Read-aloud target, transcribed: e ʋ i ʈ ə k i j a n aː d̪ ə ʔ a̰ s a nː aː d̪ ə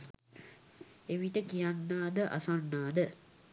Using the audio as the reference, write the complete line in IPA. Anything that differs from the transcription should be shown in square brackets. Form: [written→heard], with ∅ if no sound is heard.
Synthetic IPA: e ʋ i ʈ ə k i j a [n→nː] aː d̪ ə ʔ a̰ s a nː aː d̪ ə